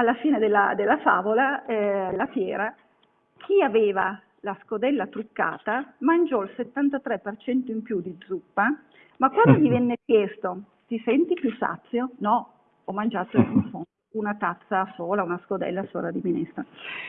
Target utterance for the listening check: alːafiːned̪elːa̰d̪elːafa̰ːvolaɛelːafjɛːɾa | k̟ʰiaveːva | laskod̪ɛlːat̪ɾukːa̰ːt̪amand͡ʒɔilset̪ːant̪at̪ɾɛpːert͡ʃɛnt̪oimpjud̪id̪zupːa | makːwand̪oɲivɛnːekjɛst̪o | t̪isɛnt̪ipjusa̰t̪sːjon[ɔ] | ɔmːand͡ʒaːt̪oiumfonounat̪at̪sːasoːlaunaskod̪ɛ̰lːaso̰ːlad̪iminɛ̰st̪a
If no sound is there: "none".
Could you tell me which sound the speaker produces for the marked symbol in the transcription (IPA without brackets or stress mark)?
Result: ɔ